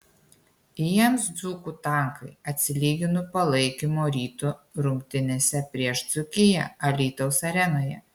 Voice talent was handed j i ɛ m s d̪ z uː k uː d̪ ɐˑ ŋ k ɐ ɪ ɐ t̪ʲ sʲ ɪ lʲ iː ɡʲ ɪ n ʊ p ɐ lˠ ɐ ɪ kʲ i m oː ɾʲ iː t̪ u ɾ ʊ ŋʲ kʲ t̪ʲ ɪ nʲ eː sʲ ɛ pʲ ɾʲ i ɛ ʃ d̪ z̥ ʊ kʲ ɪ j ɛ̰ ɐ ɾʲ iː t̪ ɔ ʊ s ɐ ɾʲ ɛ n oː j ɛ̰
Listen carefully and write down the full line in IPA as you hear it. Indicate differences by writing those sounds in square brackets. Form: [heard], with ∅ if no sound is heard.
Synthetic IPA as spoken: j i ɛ m s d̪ z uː k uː [t̪] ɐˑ ŋ k ɐ ɪ ɐ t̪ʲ sʲ ɪ lʲ iː ɡʲ ɪ n ʊ p ɐ lˠ ɐ ɪ kʲ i m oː ɾʲ iː t̪ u ɾ ʊ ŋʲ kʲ t̪ʲ ɪ nʲ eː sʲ ɛ pʲ ɾʲ i ɛ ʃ d̪ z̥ ʊ kʲ ɪ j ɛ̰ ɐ [lʲ] iː t̪ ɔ ʊ s ɐ ɾʲ ɛ n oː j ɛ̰

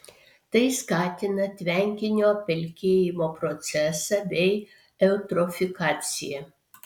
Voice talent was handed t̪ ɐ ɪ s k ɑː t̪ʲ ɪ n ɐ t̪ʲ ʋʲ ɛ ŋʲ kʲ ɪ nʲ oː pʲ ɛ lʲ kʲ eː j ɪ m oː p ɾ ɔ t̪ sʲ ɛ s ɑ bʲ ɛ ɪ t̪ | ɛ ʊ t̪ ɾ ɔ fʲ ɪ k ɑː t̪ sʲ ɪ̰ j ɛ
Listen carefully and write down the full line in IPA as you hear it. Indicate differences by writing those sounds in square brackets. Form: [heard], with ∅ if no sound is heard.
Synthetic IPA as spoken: t̪ ɐ ɪ s k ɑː t̪ʲ ɪ n ɐ t̪ʲ ʋʲ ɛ ŋʲ kʲ ɪ nʲ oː pʲ ɛ lʲ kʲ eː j ɪ m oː p ɾ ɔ t̪ sʲ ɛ s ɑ bʲ ɛ ɪ [∅] | ɛ ʊ t̪ ɾ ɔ fʲ ɪ k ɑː t̪ sʲ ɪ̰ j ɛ

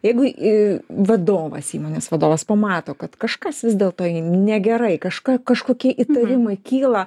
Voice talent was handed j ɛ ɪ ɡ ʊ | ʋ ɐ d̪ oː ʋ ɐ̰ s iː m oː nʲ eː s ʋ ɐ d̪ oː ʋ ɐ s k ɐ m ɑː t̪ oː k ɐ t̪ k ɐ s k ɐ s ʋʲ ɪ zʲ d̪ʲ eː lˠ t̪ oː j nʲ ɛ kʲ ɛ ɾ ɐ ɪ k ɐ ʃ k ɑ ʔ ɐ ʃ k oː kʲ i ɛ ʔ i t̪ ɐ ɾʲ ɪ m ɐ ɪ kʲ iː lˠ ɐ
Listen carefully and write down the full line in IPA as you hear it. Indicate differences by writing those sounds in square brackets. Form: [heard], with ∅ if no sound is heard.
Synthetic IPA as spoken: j ɛ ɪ ɡ ʊ | ʋ ɐ d̪ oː ʋ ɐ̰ s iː m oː nʲ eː s ʋ ɐ d̪ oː ʋ ɐ s [p] ɐ m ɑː t̪ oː k ɐ t̪ k ɐ [ʃ] k ɐ s ʋʲ ɪ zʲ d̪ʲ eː lˠ t̪ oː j nʲ ɛ [ɡʲ] ɛ ɾ ɐ ɪ k ɐ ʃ k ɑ [k] ɐ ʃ k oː kʲ i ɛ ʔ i t̪ ɐ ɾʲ ɪ m ɐ ɪ kʲ iː lˠ ɐ

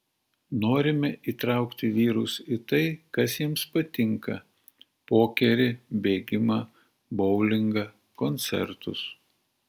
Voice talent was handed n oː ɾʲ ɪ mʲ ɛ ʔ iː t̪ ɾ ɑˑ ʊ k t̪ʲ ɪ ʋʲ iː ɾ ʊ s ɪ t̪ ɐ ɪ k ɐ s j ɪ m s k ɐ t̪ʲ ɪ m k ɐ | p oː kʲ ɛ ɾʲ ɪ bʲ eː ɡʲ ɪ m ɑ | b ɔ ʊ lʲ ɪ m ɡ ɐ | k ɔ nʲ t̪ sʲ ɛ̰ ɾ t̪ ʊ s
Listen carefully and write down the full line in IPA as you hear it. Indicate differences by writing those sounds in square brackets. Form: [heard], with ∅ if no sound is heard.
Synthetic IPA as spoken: n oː ɾʲ ɪ mʲ ɛ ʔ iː t̪ ɾ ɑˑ ʊ k t̪ʲ ɪ ʋʲ iː ɾ ʊ s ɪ t̪ ɐ ɪ k ɐ s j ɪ m s [p] ɐ t̪ʲ ɪ [ŋ] k ɐ | p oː kʲ ɛ ɾʲ ɪ bʲ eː ɡʲ ɪ m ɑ | b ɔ ʊ lʲ ɪ [ŋ] ɡ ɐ | k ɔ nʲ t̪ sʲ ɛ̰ ɾ t̪ ʊ s

